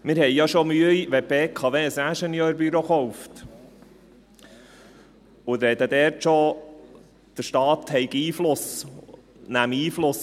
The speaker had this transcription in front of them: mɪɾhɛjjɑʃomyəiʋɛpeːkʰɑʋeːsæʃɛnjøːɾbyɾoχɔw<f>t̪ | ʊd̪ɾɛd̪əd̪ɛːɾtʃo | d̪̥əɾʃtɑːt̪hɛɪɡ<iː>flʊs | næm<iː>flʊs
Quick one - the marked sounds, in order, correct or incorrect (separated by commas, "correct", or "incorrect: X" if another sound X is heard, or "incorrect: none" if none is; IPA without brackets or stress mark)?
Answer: correct, correct, correct